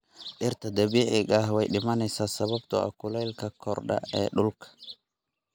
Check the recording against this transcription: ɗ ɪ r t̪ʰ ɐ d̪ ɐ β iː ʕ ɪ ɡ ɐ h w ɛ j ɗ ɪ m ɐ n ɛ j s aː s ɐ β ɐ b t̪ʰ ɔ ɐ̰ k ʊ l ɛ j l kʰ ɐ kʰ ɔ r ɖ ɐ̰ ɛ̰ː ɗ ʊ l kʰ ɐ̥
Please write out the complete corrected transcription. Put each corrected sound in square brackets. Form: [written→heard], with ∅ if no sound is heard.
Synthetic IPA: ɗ ɪ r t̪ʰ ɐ d̪ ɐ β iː ʕ ɪ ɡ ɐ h w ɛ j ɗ ɪ m ɐ n ɛ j s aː s ɐ β ɐ b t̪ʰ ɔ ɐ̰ k ʊ l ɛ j l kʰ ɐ kʰ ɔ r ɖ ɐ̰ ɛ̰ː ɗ ʊ l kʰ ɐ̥